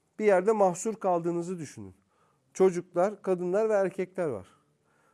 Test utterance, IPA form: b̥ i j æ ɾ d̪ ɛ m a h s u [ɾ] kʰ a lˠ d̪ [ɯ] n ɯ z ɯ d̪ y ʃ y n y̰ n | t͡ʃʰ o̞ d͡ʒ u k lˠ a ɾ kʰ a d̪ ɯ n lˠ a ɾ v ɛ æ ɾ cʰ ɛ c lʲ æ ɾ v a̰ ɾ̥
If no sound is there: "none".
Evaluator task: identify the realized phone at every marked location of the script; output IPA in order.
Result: ɾ, ɯː

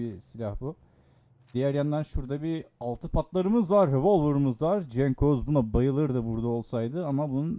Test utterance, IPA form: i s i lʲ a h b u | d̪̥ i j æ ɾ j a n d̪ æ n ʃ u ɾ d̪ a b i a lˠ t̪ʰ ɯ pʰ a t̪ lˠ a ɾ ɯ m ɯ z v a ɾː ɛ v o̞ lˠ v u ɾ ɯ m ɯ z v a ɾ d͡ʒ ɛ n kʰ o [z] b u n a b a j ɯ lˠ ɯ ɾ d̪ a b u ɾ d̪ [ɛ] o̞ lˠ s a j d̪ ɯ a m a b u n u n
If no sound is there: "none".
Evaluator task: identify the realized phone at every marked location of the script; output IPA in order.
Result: z, a

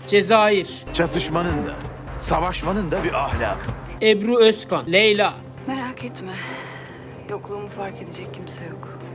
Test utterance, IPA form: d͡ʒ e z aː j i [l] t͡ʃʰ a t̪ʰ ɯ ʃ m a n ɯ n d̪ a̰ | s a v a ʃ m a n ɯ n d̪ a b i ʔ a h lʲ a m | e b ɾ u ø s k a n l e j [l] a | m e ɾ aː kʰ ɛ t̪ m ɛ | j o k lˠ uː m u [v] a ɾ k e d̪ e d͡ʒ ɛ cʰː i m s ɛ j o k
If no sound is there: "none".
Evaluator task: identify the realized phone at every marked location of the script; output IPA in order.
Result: ɾ, l, f

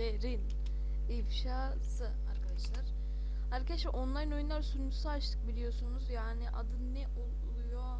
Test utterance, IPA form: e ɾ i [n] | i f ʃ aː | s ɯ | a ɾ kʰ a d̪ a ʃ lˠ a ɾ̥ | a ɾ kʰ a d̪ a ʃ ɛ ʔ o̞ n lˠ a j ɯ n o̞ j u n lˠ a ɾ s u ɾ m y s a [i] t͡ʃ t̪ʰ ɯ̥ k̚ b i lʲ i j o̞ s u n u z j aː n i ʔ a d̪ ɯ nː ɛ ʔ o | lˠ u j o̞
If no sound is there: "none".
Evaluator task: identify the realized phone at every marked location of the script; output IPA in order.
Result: n, a

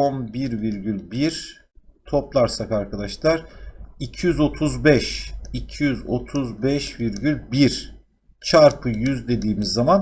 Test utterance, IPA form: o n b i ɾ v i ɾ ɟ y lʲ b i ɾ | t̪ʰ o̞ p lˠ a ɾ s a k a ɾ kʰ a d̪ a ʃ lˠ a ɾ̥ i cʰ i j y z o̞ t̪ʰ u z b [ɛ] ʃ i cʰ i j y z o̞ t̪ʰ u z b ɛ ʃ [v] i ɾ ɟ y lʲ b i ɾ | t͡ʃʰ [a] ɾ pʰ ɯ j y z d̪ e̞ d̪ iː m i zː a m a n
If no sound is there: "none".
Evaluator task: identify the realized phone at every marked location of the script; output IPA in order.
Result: ɛ, v, a

